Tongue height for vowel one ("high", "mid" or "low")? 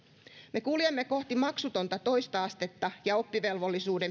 mid